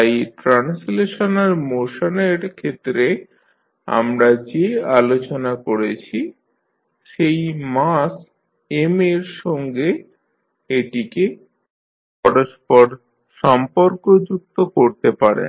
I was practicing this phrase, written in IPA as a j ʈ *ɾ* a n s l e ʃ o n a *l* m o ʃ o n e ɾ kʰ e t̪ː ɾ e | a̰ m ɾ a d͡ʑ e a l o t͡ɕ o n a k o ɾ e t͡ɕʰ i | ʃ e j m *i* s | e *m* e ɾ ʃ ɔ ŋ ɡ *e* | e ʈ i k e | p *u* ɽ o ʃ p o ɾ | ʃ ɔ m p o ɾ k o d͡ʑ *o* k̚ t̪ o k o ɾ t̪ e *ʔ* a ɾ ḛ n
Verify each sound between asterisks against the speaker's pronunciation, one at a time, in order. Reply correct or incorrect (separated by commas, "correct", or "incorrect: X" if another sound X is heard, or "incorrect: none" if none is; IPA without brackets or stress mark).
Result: correct, incorrect: ɾ, incorrect: a, correct, correct, incorrect: ɔ, incorrect: u, incorrect: p